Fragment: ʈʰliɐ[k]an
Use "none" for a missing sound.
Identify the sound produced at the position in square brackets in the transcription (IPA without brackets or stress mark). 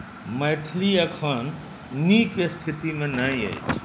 kʰ